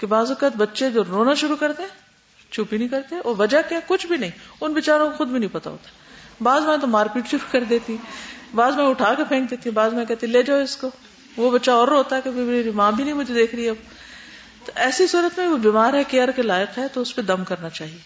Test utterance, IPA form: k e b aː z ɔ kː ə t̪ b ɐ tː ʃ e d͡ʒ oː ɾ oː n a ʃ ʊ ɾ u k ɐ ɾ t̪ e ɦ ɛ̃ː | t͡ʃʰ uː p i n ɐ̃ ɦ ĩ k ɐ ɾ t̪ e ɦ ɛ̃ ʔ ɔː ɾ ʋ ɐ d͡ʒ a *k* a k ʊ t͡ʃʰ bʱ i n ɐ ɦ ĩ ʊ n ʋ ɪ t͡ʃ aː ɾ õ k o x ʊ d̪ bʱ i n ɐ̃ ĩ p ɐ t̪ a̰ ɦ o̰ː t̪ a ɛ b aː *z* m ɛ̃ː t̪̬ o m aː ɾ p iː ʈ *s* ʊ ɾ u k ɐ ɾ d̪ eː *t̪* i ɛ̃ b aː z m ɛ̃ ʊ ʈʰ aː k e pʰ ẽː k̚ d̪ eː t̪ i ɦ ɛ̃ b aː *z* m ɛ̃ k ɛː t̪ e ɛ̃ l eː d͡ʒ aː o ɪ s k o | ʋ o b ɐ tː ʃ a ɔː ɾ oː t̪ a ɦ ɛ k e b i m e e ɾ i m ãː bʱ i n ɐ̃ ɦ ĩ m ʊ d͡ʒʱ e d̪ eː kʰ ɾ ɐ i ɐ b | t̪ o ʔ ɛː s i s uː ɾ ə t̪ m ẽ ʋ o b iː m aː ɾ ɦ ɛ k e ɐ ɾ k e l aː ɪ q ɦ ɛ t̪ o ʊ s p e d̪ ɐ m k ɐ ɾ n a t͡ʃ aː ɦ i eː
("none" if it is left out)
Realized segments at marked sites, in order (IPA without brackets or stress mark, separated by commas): k, z, ʃ, t̪, z